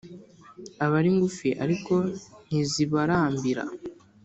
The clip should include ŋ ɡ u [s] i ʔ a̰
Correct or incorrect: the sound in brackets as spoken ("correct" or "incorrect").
incorrect